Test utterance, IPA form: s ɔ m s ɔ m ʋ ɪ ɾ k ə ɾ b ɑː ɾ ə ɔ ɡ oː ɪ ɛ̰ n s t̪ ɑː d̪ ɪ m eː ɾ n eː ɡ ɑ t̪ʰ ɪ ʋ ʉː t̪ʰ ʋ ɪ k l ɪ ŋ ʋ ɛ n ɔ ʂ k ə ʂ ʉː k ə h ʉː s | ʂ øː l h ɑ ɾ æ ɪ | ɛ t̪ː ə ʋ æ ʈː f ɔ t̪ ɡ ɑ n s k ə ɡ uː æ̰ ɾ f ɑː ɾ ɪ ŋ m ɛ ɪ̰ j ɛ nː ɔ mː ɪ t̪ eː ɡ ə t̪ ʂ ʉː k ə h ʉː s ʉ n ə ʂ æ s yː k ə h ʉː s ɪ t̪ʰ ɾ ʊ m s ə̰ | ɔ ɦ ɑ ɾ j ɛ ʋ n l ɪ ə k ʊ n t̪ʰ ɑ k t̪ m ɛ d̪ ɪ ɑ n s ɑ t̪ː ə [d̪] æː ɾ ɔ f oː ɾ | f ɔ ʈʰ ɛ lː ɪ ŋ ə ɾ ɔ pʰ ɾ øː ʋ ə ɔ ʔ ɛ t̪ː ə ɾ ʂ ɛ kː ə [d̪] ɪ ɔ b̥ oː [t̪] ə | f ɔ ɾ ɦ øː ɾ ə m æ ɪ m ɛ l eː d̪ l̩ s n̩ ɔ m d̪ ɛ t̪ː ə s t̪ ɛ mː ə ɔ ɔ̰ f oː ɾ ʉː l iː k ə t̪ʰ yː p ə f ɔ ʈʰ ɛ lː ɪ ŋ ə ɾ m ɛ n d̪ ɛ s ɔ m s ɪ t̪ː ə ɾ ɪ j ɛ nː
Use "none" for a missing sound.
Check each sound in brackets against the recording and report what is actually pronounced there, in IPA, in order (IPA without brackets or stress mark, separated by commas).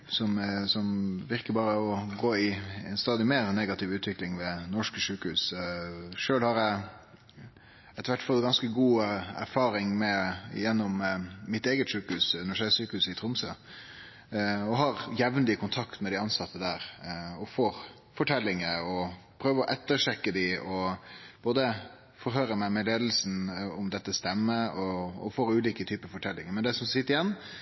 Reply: d̪, d̪, d̪